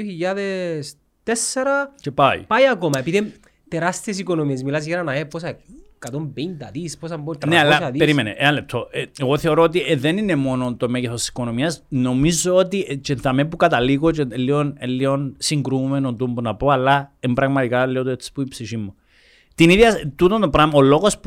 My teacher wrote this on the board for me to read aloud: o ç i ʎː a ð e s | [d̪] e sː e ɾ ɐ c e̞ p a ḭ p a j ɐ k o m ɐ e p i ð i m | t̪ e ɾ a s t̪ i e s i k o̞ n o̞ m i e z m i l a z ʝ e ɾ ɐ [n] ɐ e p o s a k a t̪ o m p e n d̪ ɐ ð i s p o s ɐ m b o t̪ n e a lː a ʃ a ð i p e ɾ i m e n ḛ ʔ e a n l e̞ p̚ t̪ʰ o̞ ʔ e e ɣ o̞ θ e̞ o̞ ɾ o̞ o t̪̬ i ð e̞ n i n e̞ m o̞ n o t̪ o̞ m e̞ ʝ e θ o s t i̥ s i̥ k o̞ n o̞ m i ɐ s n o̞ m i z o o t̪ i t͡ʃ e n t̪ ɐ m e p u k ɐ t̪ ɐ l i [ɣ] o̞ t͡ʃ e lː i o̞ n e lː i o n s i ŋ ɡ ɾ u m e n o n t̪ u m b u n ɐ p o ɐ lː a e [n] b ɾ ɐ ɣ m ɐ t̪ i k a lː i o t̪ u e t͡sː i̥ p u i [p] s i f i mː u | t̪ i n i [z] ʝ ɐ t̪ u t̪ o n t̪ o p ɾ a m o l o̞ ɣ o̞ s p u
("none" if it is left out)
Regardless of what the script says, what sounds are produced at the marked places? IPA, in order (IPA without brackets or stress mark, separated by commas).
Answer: t̪, n, ɣ, m, p, ð